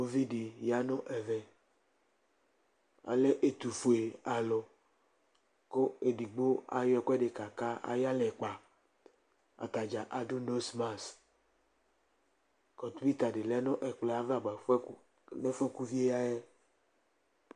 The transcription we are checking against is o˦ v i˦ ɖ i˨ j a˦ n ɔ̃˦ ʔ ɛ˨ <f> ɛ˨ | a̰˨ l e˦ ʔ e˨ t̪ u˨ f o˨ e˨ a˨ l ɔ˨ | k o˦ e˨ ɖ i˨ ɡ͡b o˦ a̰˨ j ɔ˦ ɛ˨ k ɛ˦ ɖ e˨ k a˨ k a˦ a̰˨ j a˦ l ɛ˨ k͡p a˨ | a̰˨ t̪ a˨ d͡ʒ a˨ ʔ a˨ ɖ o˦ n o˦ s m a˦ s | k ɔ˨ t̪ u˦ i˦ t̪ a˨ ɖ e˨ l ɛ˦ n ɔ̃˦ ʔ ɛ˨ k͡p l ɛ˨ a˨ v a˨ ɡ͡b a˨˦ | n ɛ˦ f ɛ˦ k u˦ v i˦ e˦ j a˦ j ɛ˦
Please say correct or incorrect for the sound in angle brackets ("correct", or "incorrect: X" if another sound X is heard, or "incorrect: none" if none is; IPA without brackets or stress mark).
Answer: incorrect: v